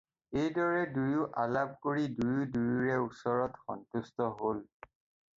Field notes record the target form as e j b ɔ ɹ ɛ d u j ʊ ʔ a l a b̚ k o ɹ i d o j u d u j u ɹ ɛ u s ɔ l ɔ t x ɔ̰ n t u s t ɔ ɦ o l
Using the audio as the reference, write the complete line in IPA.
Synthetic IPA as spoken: e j d ɔ ɹ ɛ d u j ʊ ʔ a l a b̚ k o ɹ i d u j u d u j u ɹ ɛ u s ɔ ɹ ɔ t x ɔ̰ n t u s t ɔ ɦ o l

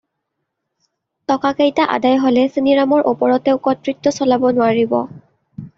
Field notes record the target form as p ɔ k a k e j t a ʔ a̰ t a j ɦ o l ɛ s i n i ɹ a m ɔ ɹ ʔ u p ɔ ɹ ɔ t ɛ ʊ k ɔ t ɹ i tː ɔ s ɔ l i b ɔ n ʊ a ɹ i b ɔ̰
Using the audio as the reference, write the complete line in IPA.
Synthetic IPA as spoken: t ɔ k a k e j t a ʔ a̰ d a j ɦ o l ɛ s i n i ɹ a m ɔ ɹ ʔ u p ɔ ɹ ɔ t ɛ ʊ k ɔ t ɹ i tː ɔ s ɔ l a b ɔ n ʊ a ɹ i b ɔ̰

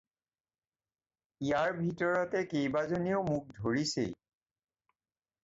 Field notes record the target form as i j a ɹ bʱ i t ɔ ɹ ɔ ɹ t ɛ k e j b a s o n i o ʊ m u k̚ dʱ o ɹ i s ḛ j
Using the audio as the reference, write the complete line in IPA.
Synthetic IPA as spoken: i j a ɹ bʱ i t ɔ ɹ ɔ t ɛ k e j b a z o n i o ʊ m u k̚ dʱ o ɹ i s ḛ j

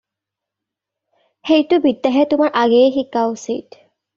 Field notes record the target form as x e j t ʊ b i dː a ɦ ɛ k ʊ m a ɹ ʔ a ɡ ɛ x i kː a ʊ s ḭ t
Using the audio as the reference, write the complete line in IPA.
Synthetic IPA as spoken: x e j t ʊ b i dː a ɦ ɛ t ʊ m a ɹ ʔ a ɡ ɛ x i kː a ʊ s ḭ t

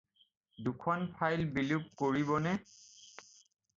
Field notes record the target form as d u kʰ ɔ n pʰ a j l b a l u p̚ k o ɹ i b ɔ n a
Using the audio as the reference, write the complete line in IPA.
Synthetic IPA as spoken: d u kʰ ɔ n pʰ a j l b i l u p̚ k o ɹ i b ɔ n ɛ

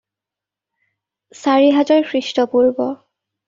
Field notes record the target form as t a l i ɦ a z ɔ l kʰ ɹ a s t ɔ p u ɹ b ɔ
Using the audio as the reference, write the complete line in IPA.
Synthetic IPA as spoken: s a ɹ i ɦ a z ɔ ɹ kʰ ɹ i s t ɔ p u ɹ b ɔ

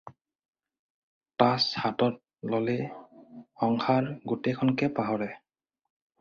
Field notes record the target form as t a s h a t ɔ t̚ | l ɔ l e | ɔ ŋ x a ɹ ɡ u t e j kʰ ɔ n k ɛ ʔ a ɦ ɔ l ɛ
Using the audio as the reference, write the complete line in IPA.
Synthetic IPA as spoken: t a s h a t ɔ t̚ | l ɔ l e | ɔ ŋ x a ɹ ɡ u t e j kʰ ɔ n k ɛ p a ɦ ɔ ɹ ɛ

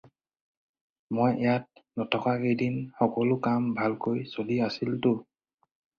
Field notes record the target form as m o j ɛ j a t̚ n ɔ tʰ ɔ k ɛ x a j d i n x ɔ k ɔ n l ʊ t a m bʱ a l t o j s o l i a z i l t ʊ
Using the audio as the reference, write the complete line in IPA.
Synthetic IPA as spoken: m o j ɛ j a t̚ n ɔ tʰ ɔ k a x e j d i n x ɔ k ɔ l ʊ k a m bʱ a l k o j s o l i a s i l t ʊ

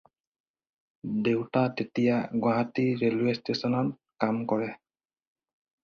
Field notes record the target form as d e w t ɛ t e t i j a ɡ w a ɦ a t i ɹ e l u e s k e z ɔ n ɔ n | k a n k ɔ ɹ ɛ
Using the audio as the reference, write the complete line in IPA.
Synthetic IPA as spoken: d e w t a t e t i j a ɡ w a ɦ a t i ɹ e l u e s t e s ɔ n ɔ n | k a m k ɔ ɹ ɛ

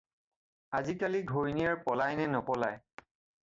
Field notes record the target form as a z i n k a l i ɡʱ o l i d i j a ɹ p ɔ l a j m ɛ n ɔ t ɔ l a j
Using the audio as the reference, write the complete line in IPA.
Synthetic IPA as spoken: a z i k a l i ɡʱ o ɹ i n i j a ɹ p ɔ l a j n ɛ n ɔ p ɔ l a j

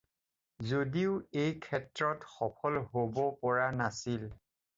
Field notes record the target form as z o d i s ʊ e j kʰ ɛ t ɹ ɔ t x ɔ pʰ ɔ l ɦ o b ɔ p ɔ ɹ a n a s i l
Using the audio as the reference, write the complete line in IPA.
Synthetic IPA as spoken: z o d i ʊ e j kʰ ɛ t ɹ ɔ t x ɔ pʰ ɔ l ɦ o b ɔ p ɔ ɹ a n a s i l

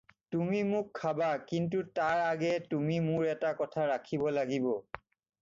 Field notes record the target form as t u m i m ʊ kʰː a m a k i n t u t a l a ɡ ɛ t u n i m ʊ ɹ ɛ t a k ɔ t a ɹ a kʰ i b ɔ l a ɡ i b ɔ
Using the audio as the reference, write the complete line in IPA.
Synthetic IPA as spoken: t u m i m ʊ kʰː a b a k i n t u t a ɹ a ɡ ɛ t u m i m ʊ ɹ ɛ t a k ɔ tʰ a ɹ a kʰ i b ɔ l a ɡ i b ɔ

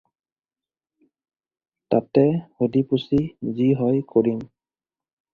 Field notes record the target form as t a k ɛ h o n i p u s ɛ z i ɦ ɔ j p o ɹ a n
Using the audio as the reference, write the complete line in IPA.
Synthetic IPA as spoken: t a t ɛ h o d i p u s i z i ɦ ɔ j k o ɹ i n

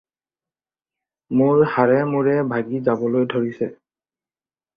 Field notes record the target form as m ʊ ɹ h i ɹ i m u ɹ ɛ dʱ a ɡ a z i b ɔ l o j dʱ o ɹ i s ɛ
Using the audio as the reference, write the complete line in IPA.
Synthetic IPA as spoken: m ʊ ɹ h a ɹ ɛ m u ɹ ɛ bʱ a ɡ i z a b ɔ l o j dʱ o ɹ i s ɛ

